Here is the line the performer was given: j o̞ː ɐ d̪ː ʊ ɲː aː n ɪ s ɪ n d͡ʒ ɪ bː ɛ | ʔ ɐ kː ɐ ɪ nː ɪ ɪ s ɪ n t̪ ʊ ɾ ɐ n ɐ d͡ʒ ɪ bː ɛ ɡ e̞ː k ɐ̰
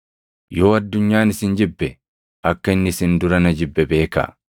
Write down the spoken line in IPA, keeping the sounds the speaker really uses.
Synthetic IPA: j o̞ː ɐ d̪ː ʊ ɲː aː n ɪ s ɪ n d͡ʒ ɪ bː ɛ | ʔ ɐ kː ɐ ɪ nː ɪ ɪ s ɪ n d̪ ʊ ɾ ɐ n ɐ d͡ʒ ɪ bː ɛ b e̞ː k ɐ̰